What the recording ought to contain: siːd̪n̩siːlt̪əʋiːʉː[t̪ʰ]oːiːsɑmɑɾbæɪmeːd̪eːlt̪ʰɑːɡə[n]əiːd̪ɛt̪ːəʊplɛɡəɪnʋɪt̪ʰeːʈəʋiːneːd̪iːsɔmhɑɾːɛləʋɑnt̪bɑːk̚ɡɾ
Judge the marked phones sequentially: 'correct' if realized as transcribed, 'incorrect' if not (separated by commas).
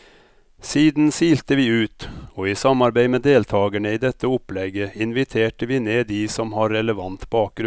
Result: incorrect, incorrect